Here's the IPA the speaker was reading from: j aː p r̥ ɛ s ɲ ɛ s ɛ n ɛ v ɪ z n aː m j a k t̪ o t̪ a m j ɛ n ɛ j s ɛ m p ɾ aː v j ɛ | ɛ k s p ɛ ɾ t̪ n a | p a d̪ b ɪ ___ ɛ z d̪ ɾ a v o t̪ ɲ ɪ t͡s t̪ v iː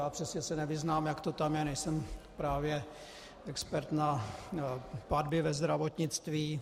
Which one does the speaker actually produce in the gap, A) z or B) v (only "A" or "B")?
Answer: B